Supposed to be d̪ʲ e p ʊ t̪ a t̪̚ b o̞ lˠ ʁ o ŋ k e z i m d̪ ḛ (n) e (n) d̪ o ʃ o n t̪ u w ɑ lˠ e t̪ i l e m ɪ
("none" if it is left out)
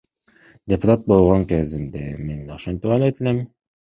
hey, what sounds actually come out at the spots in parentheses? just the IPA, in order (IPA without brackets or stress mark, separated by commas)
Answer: m, n